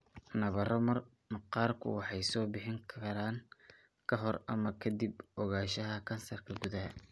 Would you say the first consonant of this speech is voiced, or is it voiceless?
voiced